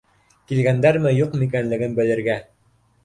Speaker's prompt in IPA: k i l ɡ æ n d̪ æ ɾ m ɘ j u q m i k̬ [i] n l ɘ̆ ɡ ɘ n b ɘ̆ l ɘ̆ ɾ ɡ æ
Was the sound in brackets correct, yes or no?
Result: no